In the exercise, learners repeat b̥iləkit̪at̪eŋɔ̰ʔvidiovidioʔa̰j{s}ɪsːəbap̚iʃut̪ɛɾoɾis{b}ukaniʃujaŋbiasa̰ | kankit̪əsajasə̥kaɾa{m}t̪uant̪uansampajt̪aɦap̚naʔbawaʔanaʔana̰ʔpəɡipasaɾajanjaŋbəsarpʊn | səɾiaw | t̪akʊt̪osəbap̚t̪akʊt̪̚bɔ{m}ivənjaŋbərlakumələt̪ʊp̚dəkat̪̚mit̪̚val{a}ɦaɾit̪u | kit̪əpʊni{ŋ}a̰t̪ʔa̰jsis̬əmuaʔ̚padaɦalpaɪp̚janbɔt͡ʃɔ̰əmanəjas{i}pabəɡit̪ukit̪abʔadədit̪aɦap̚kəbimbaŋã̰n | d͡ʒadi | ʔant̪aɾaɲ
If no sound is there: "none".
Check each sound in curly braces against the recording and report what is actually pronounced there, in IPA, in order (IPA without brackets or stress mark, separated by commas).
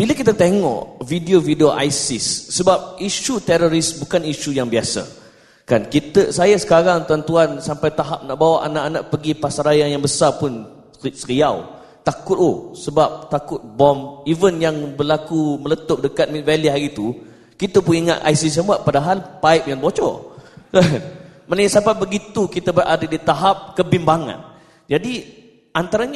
s, b, ŋ, m, i, ŋ, a